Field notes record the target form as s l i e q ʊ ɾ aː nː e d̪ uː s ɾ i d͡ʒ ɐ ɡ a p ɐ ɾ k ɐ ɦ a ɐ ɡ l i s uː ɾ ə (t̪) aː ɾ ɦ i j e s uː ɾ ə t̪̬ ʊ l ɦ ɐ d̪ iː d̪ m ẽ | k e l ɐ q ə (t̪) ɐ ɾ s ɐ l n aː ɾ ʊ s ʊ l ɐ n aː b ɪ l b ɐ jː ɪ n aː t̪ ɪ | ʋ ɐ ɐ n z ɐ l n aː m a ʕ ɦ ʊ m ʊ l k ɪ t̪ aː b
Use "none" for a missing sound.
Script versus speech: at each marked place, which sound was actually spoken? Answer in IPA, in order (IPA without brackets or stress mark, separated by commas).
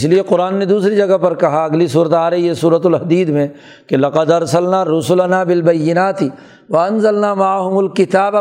t̪, d̪